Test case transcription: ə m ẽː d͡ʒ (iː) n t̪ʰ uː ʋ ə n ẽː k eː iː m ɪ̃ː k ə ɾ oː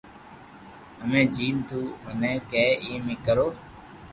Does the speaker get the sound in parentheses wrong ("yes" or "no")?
no